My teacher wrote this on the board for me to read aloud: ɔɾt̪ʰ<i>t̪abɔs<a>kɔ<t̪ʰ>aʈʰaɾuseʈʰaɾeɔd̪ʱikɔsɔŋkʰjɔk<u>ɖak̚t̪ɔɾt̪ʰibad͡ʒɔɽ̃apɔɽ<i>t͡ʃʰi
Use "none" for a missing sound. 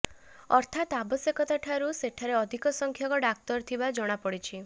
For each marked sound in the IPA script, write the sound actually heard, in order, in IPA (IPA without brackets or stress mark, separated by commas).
a, e, t̪, ɔ, i